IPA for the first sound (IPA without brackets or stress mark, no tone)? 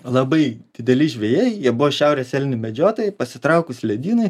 lˠ